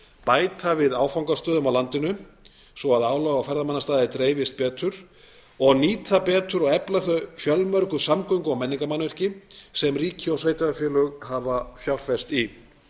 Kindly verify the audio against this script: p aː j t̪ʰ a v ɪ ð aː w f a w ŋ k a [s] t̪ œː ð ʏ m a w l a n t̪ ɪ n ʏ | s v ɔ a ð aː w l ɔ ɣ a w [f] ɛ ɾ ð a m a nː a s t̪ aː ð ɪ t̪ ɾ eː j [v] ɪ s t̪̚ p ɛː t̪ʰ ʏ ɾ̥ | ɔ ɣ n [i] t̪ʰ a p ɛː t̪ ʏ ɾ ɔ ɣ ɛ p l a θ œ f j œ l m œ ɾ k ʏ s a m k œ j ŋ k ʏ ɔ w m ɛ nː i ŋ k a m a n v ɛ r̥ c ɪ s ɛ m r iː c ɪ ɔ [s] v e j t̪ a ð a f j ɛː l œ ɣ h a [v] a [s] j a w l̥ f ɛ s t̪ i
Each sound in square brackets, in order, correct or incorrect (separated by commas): correct, correct, correct, incorrect, correct, correct, incorrect